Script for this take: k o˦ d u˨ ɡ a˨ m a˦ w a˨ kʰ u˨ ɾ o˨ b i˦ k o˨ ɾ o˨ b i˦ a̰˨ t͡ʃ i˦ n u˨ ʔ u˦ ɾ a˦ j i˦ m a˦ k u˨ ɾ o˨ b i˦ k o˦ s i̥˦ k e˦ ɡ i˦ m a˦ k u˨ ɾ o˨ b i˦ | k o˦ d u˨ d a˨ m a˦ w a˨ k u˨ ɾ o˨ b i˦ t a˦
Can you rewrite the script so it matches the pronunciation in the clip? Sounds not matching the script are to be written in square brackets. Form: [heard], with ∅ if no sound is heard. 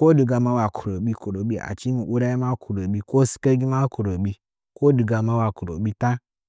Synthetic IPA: k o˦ d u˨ ɡ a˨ m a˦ w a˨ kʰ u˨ ɾ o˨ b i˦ k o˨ ɾ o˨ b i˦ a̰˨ t͡ʃ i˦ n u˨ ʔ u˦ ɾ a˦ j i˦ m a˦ k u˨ ɾ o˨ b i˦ k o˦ s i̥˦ k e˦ ɡ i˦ m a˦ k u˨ ɾ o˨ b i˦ | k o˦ d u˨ [ɡ] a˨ m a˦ w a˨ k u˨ ɾ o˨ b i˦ t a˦